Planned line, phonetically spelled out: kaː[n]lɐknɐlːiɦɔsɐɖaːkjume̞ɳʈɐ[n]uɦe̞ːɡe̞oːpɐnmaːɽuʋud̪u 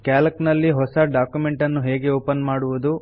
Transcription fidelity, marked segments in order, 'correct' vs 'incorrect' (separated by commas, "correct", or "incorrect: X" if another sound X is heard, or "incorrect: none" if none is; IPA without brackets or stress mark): incorrect: none, incorrect: nː